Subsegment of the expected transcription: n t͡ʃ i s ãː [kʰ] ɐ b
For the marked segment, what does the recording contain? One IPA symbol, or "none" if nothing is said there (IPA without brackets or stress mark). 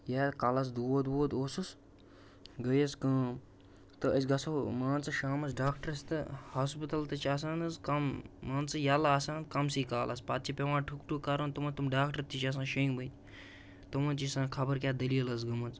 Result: kʰ